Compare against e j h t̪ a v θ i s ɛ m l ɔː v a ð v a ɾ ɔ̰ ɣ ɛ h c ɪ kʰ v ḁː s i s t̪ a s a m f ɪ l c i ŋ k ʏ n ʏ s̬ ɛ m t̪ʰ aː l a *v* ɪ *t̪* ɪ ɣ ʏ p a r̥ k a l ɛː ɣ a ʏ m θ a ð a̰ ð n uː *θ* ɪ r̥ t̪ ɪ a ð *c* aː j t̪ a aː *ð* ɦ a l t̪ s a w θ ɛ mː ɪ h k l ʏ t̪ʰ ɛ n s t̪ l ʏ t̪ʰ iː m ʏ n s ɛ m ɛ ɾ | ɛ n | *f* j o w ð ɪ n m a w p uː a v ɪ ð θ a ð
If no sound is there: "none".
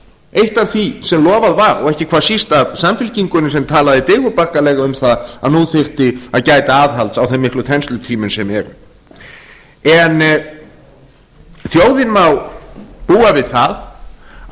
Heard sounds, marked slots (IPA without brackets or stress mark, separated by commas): ð, t̪, θ, c, ð, θ